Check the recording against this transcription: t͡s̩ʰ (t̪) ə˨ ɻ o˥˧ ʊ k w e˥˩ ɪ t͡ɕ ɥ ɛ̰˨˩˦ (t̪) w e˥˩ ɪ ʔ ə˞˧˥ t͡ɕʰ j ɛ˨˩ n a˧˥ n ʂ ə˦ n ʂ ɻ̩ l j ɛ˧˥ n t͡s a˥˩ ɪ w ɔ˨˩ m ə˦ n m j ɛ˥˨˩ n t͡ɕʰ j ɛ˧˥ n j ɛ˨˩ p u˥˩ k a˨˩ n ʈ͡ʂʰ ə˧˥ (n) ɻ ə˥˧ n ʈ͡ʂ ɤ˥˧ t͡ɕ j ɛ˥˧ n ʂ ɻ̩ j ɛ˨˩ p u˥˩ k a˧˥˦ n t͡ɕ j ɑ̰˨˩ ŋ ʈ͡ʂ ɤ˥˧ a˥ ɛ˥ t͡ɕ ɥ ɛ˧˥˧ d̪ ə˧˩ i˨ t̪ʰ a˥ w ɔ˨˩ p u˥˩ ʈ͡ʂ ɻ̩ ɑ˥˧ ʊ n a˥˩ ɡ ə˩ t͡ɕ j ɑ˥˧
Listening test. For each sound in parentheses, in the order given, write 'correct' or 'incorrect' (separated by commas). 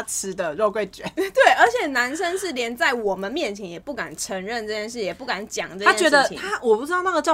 incorrect, correct, incorrect